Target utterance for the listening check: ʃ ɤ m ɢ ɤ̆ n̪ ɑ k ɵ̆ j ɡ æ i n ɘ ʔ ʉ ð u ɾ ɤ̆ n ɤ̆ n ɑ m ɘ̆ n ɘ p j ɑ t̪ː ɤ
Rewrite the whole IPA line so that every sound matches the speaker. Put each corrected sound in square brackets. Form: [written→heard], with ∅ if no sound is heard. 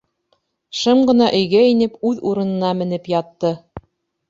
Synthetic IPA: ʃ ɤ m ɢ ɤ̆ n̪ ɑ [k→ʔ] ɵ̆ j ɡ æ i n ɘ [ʔ→p] ʉ ð u ɾ ɤ̆ n ɤ̆ n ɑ m ɘ̆ n ɘ p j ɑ t̪ː ɤ